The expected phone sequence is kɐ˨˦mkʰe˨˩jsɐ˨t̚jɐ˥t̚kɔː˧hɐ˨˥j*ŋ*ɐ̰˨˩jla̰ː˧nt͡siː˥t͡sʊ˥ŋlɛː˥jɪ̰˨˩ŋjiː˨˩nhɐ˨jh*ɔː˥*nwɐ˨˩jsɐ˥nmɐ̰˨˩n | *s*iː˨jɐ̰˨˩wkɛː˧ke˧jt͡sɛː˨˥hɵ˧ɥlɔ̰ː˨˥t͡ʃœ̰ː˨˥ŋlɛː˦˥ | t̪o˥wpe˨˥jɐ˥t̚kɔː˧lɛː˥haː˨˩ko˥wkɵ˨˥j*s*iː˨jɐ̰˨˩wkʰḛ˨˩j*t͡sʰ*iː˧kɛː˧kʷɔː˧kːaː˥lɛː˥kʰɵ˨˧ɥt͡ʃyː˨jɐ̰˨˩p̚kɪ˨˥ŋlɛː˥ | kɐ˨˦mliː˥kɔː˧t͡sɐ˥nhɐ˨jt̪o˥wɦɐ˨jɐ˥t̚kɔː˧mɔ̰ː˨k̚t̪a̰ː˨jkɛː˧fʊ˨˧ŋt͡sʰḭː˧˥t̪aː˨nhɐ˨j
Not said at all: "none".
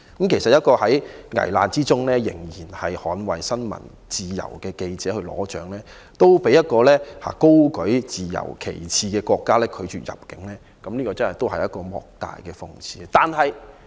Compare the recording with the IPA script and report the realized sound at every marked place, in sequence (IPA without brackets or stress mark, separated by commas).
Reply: ŋ, ɔː˨˥, t͡s, t͡s, t͡sʰ